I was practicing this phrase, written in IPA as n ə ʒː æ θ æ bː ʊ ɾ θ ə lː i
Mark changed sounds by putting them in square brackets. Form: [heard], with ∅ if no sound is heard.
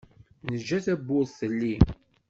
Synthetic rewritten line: n ə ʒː æ θ æ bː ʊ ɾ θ ə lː i